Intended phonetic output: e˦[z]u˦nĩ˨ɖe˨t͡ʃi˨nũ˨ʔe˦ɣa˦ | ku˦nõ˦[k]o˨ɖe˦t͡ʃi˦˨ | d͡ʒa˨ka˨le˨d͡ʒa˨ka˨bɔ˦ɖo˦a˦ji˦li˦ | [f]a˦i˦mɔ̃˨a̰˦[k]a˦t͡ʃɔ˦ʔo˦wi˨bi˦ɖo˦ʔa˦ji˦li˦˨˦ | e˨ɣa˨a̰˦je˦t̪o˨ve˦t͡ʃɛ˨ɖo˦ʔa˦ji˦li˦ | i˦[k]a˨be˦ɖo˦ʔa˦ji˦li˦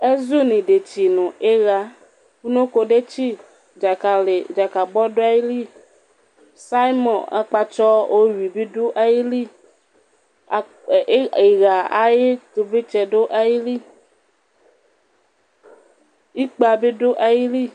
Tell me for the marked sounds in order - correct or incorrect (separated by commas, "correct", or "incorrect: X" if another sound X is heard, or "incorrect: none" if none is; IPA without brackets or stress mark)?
correct, correct, incorrect: s, incorrect: k͡p, incorrect: k͡p